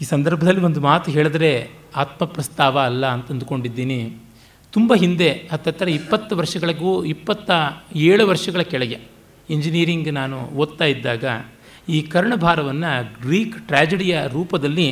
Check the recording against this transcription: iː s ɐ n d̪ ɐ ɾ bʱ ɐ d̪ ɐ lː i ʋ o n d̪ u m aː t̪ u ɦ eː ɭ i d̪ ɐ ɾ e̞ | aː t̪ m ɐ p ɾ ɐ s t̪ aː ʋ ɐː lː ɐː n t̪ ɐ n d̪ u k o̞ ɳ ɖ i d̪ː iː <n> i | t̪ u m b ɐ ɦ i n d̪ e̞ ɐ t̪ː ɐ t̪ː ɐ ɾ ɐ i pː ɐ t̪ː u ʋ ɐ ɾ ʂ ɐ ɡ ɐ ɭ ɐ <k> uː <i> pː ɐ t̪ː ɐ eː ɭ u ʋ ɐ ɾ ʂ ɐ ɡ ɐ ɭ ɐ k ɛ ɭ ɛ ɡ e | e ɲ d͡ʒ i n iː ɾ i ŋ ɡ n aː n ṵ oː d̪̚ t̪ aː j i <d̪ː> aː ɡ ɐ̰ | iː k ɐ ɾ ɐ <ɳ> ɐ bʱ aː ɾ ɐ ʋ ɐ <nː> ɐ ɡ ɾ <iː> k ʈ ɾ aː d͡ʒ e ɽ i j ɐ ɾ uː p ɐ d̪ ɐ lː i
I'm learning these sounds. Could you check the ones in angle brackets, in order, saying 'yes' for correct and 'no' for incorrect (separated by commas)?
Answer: yes, no, yes, yes, yes, yes, yes